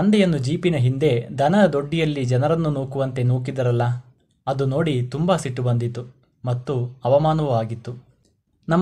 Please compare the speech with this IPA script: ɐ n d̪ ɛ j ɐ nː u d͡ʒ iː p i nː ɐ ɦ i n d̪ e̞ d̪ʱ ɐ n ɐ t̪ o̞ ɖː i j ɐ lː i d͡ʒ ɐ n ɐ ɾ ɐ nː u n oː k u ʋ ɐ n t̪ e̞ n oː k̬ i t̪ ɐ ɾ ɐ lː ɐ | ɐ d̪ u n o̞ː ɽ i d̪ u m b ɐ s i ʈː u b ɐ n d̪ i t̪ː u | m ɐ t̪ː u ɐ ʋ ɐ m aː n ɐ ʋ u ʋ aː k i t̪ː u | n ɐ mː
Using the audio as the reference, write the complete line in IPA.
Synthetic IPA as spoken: ɐ n d̪ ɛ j ɐ nː u d͡ʒ iː p i n ɐ ɦ i n d̪ e̞ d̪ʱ ɐ n ɐ d̪ o̞ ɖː i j ɐ lː i d͡ʒ ɐ n ɐ ɾ ɐ nː u n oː k u ʋ ɐ n t̪ e̞ n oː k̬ i d̪ ɐ ɾ ɐ lː ɐ | ɐ d̪ u n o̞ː ɽ i t̪ u m b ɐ s i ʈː u b ɐ n d̪ i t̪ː u | m ɐ t̪ː u ɐ ʋ ɐ m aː n ɐ ʋ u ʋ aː ɡ i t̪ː u | n ɐ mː